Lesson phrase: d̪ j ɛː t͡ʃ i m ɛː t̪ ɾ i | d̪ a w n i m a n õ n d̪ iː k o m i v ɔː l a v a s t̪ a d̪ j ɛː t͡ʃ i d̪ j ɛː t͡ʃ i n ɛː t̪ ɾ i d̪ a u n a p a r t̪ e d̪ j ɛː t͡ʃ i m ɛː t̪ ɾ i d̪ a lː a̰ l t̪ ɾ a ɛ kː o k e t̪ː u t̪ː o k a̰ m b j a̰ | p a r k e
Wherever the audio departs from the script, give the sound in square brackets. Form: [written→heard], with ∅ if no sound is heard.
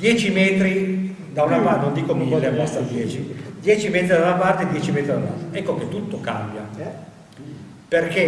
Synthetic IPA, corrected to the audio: d̪ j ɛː t͡ʃ i m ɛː t̪ ɾ i | d̪ a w n [i→a] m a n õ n d̪ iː k o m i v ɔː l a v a s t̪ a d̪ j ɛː t͡ʃ i d̪ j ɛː t͡ʃ i [n→m] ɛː t̪ ɾ i d̪ a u n a p a r t̪ e d̪ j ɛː t͡ʃ i m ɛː t̪ ɾ i d̪ a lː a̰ l t̪ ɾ a ɛ kː o k e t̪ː u t̪ː o k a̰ m b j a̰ | p [a→e] r k e